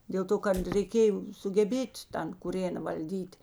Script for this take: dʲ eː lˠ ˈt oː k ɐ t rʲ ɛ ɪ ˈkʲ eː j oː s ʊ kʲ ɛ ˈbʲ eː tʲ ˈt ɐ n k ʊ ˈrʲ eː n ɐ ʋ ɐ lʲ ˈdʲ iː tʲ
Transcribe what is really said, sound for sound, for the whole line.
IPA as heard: dʲ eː lˠ ˈt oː k ɐ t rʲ ɛ ɪ ˈkʲ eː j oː s ʊ ɡʲ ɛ ˈbʲ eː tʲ ˈt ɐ n k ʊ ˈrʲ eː n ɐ ʋ ɐ lʲ ˈdʲ iː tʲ